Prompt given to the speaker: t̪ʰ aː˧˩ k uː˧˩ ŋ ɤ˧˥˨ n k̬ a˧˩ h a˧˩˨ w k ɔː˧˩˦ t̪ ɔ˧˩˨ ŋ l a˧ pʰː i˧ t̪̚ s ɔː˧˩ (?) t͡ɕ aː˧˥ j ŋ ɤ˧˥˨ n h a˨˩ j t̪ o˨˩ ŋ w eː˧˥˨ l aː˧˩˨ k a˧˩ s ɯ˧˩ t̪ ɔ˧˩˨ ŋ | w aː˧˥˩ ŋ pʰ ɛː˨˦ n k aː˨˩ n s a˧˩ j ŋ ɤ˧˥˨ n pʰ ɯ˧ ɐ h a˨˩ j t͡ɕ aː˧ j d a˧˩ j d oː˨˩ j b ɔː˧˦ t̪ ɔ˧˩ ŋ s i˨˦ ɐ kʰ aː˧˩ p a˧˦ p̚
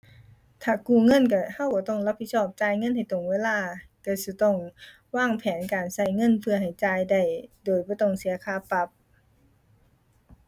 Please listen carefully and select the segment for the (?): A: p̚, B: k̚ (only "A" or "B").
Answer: A